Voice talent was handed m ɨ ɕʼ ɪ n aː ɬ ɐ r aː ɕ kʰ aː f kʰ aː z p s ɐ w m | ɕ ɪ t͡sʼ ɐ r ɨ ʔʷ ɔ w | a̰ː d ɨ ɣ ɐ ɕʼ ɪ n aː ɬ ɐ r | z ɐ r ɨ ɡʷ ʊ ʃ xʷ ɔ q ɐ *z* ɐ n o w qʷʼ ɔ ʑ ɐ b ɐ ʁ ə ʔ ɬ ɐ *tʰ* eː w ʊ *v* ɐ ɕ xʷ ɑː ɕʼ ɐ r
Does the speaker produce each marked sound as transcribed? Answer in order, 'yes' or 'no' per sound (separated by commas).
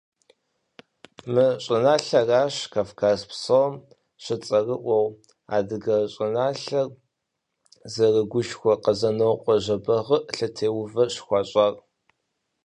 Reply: yes, yes, yes